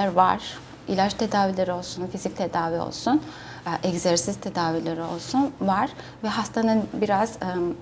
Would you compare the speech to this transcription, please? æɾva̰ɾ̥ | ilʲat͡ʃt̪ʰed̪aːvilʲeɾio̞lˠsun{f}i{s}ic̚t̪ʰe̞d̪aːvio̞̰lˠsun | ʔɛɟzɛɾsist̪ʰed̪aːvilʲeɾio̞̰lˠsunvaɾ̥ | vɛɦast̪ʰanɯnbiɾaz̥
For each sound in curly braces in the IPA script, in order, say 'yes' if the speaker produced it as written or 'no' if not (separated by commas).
yes, no